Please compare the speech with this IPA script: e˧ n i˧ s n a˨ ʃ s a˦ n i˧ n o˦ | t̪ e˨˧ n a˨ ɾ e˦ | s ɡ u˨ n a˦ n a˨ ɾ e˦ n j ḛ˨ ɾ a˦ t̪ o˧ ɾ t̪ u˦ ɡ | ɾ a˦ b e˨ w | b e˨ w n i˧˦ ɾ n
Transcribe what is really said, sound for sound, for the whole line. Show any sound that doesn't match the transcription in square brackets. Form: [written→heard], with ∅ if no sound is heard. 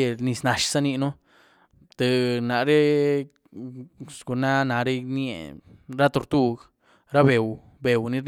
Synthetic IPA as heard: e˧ n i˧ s n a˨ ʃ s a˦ n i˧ n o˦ | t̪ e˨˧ n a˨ ɾ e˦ | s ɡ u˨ n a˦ n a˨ ɾ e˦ n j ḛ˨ ɾ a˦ t̪ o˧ ɾ t̪ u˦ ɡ | ɾ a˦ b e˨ w | b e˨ w n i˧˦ ɾ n